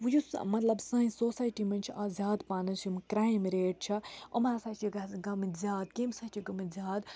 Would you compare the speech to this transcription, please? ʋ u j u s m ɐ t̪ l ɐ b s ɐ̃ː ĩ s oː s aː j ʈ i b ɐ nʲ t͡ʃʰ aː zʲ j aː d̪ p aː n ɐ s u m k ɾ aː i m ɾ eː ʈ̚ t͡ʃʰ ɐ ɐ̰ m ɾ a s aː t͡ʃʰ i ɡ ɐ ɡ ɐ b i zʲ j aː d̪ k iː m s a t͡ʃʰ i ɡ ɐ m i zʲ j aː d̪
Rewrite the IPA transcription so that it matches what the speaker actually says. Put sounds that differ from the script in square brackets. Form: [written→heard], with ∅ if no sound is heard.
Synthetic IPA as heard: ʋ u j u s m ɐ t̪ l ɐ b s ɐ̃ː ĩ s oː s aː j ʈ i [b→m] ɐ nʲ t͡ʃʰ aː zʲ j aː d̪ p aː n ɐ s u m k ɾ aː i m ɾ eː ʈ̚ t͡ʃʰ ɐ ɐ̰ m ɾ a s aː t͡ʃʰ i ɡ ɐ ɡ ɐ [b→m] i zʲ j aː d̪ k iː m s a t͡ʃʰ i ɡ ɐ m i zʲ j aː d̪